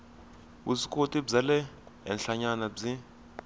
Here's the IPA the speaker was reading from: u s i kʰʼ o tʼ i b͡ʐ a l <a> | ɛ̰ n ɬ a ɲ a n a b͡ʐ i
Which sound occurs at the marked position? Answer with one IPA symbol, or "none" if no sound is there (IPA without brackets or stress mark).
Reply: ɛ